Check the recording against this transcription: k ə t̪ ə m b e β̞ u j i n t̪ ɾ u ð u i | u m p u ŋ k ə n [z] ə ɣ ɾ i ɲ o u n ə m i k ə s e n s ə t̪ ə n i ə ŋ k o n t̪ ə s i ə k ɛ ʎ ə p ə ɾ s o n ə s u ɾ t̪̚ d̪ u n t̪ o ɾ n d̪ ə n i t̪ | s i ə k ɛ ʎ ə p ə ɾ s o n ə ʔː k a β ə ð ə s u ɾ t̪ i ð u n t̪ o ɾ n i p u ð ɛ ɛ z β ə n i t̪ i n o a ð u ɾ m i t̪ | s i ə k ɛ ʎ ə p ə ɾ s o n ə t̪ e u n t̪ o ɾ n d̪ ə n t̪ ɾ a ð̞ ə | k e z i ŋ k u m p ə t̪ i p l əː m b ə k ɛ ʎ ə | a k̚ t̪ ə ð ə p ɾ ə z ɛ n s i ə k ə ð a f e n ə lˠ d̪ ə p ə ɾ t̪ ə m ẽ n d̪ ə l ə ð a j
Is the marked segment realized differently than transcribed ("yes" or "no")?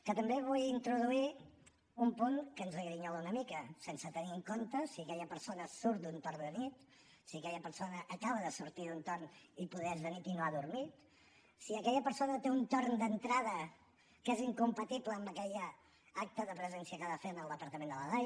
no